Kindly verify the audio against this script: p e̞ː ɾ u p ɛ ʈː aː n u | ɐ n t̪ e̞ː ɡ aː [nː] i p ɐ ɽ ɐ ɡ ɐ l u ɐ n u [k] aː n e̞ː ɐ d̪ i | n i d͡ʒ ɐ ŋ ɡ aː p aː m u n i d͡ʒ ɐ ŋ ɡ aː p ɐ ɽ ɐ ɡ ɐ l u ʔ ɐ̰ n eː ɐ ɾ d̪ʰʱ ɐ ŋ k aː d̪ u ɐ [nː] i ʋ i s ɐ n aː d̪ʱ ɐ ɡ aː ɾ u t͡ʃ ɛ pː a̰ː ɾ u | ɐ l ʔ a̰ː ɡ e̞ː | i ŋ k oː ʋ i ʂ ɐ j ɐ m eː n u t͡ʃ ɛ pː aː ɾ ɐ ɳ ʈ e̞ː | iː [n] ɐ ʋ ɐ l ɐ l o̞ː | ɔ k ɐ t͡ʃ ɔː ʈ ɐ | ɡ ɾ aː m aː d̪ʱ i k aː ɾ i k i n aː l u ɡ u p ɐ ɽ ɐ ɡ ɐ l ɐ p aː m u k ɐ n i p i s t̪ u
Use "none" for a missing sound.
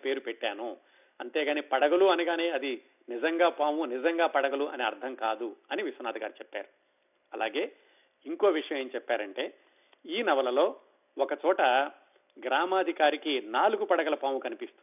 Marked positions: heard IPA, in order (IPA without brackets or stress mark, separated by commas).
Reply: n, ɡ, n, n